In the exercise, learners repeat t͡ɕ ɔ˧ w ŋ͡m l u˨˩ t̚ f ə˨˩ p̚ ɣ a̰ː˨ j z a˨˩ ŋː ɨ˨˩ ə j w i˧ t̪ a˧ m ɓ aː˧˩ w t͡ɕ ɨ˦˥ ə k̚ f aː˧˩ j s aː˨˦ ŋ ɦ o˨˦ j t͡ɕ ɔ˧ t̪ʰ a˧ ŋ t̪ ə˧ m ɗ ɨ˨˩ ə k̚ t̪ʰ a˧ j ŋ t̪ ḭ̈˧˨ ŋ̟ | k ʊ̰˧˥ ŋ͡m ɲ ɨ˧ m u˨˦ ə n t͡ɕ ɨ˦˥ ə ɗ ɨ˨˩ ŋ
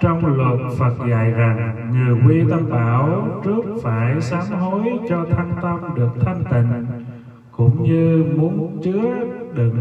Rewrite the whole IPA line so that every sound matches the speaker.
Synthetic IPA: t͡ɕ ɔ˧ w ŋ͡m l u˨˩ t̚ f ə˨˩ t̚ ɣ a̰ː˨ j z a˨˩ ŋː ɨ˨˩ ə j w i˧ t̪ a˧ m ɓ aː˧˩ w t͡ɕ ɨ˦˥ ə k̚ f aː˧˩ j s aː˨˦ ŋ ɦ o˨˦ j t͡ɕ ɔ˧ t̪ʰ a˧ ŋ t̪ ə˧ m ɗ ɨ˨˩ ə k̚ t̪ʰ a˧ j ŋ t̪ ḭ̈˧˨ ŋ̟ | k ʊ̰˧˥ ŋ͡m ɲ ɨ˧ m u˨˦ ə n t͡ɕ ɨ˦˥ ə ɗ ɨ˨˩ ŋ